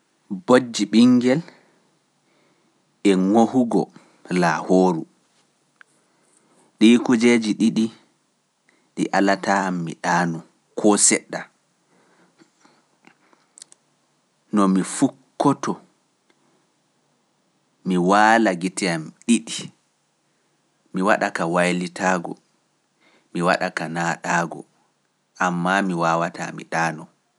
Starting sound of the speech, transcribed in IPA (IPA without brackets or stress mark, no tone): b